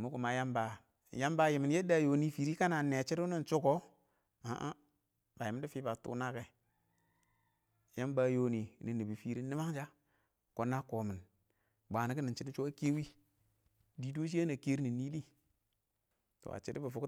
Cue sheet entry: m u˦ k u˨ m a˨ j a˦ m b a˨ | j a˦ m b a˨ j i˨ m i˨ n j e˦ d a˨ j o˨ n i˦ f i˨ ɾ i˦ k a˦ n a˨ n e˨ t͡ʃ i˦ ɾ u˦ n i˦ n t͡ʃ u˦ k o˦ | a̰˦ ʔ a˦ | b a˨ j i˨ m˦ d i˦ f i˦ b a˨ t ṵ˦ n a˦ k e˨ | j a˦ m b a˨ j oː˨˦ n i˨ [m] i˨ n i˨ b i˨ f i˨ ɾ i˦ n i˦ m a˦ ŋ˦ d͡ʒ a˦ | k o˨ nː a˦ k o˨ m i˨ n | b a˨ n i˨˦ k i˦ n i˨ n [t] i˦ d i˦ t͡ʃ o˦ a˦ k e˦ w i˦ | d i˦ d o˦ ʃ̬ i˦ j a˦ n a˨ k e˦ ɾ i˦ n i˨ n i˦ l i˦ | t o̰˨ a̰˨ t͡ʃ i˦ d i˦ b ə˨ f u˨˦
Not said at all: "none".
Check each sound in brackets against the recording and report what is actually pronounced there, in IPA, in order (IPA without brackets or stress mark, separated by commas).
n, t͡ʃ